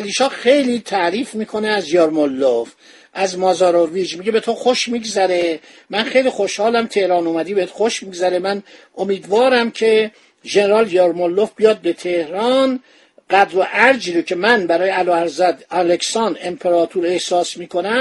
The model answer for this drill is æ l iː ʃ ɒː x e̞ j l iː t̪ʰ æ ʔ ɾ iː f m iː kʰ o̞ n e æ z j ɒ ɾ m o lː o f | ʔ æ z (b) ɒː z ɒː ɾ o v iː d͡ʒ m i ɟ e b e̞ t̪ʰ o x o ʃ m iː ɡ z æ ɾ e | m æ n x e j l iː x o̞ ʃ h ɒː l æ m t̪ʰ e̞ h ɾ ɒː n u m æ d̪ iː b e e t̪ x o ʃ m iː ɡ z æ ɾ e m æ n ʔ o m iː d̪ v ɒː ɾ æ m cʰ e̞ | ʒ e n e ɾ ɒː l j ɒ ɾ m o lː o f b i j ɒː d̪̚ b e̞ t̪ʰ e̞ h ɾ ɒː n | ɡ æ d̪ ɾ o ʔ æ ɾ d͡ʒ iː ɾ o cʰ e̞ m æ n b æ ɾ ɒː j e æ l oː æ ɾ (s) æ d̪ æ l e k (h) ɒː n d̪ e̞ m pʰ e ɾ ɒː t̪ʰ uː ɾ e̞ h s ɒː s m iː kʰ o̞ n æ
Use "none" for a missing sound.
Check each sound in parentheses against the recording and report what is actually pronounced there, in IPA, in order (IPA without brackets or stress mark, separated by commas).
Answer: m, z, s